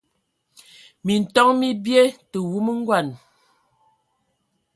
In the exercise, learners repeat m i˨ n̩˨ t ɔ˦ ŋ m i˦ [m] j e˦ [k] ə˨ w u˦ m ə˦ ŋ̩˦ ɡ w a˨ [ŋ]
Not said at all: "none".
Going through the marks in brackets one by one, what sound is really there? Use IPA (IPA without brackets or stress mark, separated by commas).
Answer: b, t, n